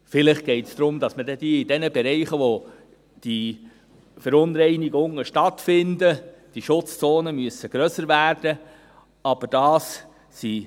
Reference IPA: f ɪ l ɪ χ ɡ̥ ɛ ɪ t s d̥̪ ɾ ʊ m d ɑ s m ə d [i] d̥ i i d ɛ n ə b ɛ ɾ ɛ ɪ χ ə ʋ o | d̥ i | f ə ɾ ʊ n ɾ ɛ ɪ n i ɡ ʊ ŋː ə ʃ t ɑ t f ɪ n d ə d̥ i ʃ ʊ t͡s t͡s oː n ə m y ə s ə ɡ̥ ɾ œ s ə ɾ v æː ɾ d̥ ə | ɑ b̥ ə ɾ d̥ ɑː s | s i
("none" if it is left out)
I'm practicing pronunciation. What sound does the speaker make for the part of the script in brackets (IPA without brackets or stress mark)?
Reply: ɛ